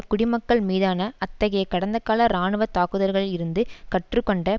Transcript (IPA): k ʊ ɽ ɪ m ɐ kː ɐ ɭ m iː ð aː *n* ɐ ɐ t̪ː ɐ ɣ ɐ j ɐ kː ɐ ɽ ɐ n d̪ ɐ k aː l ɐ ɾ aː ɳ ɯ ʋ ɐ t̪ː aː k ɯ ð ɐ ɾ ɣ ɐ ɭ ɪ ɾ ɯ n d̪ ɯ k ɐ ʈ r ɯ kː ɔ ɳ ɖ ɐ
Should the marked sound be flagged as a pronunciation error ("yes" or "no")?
no